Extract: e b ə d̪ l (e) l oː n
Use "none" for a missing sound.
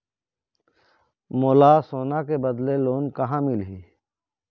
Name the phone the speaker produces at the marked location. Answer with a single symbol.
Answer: e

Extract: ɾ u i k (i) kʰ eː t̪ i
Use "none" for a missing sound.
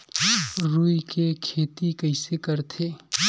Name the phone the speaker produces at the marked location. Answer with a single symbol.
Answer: e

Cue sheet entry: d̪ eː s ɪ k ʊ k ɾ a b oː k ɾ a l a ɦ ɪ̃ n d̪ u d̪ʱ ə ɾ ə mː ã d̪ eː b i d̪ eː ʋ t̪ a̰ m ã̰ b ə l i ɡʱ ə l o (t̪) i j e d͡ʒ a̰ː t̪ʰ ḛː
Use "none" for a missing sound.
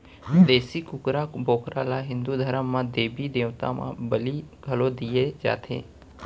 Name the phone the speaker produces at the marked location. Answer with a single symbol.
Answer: d̪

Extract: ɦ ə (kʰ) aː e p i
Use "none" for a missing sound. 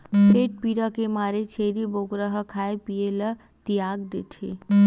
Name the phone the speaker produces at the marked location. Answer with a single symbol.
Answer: kʰ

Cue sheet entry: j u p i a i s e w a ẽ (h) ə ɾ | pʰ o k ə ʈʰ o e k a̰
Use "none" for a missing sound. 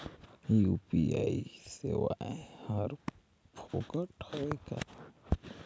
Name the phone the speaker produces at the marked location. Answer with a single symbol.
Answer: h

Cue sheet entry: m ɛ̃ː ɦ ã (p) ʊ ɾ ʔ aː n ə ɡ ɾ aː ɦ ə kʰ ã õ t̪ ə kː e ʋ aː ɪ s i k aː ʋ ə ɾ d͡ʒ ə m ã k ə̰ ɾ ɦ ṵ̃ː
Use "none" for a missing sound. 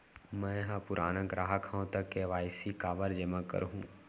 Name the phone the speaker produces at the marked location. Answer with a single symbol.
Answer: p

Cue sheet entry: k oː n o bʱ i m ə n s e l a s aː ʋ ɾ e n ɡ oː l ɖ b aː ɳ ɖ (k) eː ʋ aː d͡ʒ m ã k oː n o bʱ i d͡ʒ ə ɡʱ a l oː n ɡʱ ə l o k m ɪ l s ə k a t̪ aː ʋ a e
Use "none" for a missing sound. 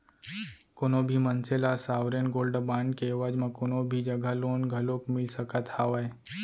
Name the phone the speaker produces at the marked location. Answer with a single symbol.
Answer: k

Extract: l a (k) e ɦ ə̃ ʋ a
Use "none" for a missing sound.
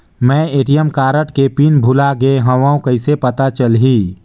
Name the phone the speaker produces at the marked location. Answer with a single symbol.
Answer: ɡ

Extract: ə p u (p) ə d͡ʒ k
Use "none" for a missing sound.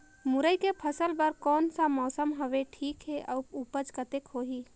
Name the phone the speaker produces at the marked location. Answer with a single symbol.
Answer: p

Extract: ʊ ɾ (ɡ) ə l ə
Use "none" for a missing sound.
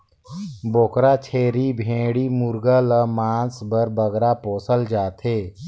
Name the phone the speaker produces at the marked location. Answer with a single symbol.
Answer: ɡ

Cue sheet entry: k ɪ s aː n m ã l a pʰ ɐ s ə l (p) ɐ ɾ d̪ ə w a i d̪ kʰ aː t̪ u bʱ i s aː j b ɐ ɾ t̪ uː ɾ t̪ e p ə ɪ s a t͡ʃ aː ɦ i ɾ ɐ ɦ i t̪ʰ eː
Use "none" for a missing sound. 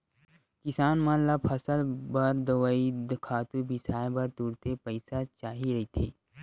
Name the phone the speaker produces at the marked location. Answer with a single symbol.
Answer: b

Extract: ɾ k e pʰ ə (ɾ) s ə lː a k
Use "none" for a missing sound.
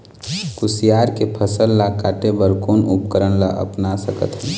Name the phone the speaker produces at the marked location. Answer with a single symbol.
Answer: none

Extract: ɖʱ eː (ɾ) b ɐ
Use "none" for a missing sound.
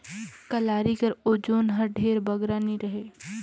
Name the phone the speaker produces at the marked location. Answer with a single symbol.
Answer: ɾ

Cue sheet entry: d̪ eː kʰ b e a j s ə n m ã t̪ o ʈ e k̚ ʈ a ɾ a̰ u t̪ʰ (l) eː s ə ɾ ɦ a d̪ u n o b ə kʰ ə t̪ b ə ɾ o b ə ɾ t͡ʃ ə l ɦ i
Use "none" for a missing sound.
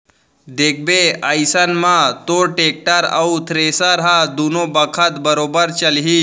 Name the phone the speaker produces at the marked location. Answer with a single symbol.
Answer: ɾ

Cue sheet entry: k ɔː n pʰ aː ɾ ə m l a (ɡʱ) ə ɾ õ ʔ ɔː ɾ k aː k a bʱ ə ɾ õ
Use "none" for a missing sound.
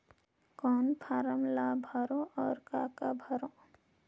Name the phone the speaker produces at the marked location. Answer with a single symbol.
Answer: bʱ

